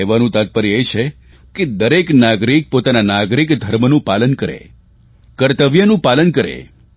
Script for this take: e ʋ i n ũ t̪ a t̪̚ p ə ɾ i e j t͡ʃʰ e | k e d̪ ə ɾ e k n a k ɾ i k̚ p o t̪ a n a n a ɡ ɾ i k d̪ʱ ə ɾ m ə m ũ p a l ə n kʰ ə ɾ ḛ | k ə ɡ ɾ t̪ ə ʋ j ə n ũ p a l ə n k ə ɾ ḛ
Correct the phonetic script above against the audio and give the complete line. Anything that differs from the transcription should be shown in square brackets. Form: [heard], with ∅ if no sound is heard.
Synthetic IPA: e ʋ [a] n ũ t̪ a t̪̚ p ə ɾ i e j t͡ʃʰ e | k e d̪ ə ɾ e k n a [ɡ] ɾ i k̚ p o t̪ a n a n a ɡ ɾ i k d̪ʱ ə ɾ m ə [n] ũ p a l ə n [k] ə ɾ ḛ | k ə [∅] ɾ t̪ ə ʋ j ə n ũ p a l ə n k ə ɾ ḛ